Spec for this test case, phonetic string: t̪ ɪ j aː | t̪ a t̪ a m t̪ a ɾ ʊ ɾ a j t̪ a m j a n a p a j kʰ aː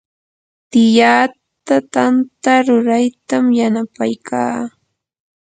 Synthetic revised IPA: t̪ ɪ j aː | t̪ a t̪ a n t̪ a ɾ ʊ ɾ a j t̪ a m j a n a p a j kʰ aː